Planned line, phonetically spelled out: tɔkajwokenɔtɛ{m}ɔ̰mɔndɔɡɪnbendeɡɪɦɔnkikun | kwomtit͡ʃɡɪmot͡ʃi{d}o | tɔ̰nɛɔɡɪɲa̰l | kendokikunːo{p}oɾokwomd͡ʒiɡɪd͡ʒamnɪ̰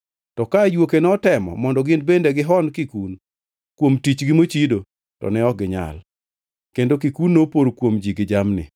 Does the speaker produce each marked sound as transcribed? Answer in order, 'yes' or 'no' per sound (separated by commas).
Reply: yes, yes, yes